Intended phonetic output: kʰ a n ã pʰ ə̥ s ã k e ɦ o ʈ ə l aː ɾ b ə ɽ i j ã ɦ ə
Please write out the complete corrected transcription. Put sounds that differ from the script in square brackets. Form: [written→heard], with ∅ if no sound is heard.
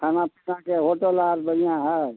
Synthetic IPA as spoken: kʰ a n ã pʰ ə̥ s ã k e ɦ o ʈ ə l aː ɾ b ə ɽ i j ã ɦ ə